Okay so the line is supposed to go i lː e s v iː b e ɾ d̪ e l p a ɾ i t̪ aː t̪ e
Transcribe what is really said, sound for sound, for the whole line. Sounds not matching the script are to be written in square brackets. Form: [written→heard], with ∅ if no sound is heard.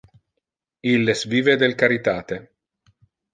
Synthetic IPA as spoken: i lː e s v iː [b→v] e [ɾ→∅] d̪ e l [p→k] a ɾ i t̪ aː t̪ e